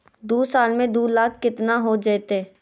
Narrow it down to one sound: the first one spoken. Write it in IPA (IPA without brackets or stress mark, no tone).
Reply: d̪